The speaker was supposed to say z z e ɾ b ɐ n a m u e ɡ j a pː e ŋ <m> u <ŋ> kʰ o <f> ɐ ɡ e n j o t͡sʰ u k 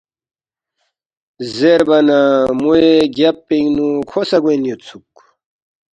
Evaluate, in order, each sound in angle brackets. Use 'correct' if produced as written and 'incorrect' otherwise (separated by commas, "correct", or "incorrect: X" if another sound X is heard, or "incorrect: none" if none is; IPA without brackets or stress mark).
incorrect: n, incorrect: none, incorrect: s